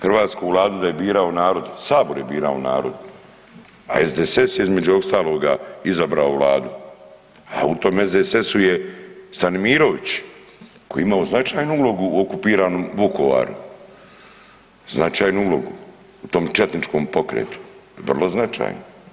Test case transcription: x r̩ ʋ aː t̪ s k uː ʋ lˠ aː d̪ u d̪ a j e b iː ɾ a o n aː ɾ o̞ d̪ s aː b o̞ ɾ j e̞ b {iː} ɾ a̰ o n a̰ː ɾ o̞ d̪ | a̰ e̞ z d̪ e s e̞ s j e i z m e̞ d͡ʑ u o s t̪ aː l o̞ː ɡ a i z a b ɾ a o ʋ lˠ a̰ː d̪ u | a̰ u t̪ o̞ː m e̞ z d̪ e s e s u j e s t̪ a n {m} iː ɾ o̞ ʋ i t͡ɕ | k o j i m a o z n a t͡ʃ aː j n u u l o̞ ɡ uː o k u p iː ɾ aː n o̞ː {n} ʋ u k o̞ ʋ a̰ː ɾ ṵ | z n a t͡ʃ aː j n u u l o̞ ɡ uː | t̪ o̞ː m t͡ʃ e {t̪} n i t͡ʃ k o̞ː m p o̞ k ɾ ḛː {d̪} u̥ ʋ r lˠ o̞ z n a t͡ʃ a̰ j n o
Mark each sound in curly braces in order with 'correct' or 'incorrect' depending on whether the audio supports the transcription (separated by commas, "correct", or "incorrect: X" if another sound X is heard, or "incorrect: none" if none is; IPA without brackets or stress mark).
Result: correct, correct, incorrect: m, correct, incorrect: t̪